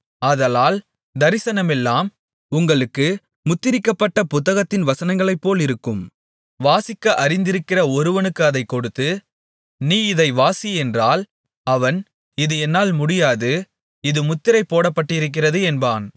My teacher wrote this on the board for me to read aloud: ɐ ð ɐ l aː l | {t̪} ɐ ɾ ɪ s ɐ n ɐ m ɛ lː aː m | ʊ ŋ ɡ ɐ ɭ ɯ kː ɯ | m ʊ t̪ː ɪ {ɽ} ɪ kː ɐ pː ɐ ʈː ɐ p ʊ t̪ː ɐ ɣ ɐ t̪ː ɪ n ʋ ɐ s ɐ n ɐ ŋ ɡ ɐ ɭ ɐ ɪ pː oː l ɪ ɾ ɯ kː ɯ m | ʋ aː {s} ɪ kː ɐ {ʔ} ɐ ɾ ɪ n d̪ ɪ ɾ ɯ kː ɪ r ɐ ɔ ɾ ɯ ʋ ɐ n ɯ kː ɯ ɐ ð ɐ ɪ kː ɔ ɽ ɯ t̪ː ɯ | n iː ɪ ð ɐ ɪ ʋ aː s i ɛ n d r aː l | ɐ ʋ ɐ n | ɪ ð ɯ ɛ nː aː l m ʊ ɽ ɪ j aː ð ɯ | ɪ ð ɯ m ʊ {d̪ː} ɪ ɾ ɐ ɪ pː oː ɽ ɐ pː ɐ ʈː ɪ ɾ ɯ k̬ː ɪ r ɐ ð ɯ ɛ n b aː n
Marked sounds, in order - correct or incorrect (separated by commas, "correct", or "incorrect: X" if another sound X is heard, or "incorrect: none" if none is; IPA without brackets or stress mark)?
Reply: incorrect: d̪, incorrect: ɾ, correct, correct, incorrect: t̪ː